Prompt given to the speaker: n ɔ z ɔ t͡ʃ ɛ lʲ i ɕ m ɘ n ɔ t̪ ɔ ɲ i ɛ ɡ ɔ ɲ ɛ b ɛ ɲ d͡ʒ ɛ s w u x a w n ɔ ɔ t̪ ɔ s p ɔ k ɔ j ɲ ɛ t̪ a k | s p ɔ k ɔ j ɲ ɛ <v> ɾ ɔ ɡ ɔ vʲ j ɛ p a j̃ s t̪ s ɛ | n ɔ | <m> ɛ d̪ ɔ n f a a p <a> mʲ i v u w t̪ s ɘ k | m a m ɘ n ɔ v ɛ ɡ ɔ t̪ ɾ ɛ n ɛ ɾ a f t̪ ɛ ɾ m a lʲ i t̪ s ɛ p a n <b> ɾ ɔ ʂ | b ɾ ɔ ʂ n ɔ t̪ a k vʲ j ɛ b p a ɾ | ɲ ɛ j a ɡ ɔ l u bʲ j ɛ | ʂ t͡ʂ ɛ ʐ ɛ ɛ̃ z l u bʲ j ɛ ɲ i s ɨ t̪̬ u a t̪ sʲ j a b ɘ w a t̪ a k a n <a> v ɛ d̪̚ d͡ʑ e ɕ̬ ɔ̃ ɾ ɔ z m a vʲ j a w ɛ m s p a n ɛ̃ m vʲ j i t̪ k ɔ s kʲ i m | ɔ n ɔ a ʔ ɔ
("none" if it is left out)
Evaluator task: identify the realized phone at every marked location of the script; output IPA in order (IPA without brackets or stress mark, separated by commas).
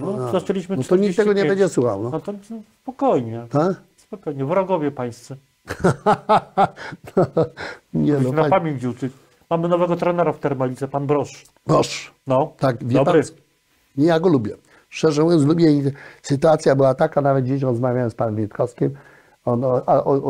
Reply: v, ɲ, a, b, a